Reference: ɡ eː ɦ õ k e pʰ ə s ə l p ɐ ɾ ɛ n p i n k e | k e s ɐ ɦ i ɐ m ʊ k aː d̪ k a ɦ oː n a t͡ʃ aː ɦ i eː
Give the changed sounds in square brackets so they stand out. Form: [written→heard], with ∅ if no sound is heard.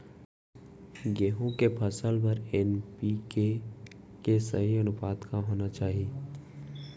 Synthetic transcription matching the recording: ɡ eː ɦ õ k e pʰ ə s ə l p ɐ ɾ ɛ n p i [n→∅] k e | k e s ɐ ɦ i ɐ [m→n] ʊ [k→p] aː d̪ k a ɦ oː n a t͡ʃ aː ɦ i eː